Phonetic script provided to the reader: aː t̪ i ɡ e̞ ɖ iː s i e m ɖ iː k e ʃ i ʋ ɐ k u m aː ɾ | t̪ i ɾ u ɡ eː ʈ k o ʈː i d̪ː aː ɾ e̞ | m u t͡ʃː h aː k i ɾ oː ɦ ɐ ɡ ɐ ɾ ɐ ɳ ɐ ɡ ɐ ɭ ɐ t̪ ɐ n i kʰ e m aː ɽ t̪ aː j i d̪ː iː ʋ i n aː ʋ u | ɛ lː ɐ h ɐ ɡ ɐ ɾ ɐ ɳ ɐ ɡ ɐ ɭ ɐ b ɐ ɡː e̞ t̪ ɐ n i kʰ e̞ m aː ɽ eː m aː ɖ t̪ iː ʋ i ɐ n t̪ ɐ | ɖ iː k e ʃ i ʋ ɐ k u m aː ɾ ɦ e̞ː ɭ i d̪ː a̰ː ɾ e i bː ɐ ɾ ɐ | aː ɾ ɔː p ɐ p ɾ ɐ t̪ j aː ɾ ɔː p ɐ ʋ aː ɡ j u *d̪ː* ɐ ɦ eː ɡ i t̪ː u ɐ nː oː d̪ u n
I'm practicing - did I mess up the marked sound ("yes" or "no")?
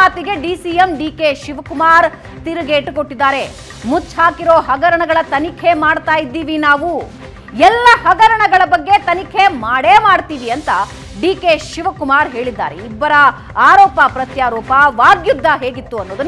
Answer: no